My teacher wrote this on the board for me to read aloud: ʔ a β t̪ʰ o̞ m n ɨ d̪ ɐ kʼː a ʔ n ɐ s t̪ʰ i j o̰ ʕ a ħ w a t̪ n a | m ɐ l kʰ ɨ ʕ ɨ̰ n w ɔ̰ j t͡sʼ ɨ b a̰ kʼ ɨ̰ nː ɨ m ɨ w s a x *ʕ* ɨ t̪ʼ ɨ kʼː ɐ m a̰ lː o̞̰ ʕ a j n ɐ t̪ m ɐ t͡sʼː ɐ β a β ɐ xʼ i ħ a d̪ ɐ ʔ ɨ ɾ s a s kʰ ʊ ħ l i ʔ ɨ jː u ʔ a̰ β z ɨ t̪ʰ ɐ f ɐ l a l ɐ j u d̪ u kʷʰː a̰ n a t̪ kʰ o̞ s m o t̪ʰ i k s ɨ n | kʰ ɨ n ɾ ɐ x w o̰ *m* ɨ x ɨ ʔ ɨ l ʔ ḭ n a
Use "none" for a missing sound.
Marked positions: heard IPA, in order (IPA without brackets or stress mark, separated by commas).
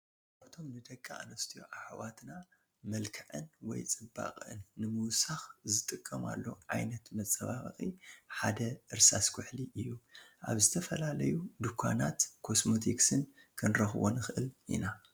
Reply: z, n